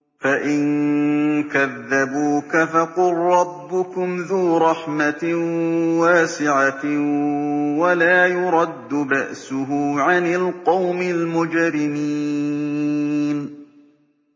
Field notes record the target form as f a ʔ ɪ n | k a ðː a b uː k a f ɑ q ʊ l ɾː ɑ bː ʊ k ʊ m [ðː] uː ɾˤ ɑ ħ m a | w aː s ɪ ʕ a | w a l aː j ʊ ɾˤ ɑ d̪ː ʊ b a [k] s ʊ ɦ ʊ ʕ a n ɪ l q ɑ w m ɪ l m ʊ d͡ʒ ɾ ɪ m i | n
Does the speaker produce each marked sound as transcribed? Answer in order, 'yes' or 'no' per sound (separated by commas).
no, no